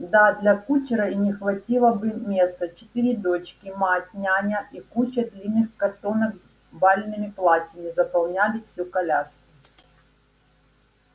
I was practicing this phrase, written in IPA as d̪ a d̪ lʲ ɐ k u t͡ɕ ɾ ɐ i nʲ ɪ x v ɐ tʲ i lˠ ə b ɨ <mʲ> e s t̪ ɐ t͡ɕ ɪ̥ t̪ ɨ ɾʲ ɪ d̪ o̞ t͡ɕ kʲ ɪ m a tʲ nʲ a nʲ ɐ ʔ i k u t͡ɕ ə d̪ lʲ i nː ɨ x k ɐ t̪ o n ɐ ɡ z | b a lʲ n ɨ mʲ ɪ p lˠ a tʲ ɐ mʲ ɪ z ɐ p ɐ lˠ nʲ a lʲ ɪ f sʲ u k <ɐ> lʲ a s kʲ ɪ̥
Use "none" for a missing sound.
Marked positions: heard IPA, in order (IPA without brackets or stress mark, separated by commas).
mʲ, ɐ